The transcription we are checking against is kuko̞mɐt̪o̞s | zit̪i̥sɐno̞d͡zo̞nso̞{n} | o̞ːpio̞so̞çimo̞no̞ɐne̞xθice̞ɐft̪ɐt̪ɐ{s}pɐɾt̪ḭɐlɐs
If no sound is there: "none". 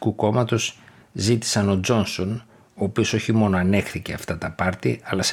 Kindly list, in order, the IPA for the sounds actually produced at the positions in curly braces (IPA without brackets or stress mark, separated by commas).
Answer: n, none